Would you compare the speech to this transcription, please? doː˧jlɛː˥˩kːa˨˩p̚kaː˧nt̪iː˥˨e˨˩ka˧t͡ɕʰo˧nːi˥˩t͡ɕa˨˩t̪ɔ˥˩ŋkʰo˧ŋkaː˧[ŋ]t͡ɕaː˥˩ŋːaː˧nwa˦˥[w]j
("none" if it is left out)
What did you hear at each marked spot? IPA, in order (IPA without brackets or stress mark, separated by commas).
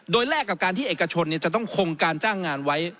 n, none